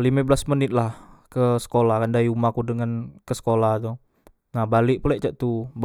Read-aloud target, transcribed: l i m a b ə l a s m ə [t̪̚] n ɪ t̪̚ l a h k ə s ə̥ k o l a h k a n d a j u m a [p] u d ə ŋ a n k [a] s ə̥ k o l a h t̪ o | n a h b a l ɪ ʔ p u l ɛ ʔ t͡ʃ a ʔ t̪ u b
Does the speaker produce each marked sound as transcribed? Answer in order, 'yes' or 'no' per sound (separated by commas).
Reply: no, no, no